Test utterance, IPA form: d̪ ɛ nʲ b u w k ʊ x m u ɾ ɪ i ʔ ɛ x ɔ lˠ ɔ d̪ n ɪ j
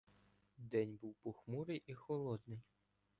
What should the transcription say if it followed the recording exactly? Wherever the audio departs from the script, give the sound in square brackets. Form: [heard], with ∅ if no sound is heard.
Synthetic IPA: d̪ ɛ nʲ b u w [p] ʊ x m u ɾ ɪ [j] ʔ [i] x ɔ lˠ ɔ d̪ n ɪ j